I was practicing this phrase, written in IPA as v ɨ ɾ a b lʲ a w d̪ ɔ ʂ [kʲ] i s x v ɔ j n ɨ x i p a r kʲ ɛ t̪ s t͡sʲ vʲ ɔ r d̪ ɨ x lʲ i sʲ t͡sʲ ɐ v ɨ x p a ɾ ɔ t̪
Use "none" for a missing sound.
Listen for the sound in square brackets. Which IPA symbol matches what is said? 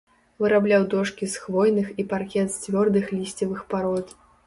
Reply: kʲ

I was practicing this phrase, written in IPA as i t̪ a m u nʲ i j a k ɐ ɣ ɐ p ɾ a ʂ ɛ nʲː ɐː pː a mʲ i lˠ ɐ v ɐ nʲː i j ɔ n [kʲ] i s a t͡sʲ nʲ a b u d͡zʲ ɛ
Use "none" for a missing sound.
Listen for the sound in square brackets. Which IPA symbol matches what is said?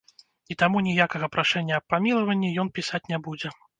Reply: pʲ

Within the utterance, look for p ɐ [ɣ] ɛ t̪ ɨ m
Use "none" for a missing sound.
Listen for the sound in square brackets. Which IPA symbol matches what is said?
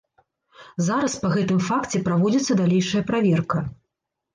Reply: ɣ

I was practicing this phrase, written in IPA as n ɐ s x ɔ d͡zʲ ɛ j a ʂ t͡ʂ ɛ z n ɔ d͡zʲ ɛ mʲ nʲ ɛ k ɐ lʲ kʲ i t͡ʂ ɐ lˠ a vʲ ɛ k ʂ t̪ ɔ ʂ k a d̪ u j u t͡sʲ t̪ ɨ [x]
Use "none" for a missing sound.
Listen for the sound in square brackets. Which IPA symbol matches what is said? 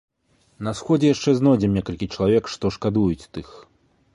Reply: x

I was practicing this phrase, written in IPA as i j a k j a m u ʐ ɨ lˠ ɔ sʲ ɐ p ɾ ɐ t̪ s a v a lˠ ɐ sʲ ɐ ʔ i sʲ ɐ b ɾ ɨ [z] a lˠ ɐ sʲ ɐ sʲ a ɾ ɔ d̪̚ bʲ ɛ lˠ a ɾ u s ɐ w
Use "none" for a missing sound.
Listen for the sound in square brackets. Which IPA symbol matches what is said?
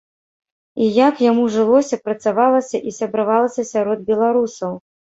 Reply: v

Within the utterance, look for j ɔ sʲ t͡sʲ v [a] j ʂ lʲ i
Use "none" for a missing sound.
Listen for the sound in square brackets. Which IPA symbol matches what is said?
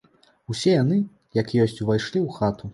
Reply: a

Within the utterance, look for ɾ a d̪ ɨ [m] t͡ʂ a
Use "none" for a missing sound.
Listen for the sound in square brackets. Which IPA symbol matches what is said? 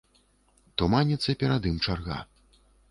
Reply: m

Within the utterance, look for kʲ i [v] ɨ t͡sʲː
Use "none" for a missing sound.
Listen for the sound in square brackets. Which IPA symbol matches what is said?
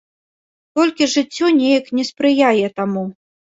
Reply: ʐ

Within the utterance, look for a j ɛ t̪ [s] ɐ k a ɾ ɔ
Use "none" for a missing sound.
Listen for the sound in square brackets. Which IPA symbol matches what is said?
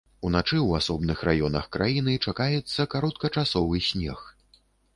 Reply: sː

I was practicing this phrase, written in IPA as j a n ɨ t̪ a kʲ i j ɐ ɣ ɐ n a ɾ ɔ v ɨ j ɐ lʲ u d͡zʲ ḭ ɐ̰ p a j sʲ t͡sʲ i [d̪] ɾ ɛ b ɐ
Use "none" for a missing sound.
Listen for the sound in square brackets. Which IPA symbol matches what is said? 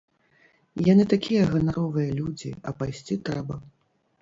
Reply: t̪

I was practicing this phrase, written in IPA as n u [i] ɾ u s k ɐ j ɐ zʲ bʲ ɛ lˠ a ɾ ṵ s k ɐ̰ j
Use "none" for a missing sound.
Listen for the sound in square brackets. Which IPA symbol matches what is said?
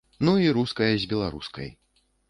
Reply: i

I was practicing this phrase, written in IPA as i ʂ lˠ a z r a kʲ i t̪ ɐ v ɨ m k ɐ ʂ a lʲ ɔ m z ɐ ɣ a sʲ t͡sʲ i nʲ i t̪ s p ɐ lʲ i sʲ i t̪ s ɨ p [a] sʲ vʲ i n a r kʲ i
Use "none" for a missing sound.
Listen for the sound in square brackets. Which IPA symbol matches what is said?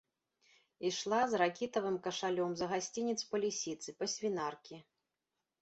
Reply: ɐ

